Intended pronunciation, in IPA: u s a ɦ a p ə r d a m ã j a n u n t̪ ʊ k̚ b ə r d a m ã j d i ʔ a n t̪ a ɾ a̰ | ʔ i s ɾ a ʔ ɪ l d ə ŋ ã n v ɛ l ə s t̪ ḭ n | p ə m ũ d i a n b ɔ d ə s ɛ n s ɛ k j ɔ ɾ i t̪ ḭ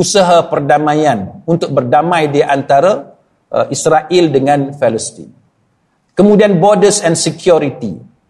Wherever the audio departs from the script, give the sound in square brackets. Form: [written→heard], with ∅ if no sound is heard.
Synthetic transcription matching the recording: u s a ɦ a p ə r d a m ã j a n u n t̪ ʊ k̚ b ə r d a m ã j d i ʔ a n t̪ a ɾ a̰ | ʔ i s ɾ a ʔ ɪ l d ə ŋ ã n [v→f] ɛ l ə s t̪ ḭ n | [p→k] ə m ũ d i a n b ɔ d ə s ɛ n s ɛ k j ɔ ɾ i t̪ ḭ